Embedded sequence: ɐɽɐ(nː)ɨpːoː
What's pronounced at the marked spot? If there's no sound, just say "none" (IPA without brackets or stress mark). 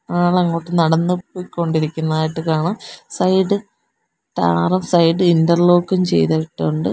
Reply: nː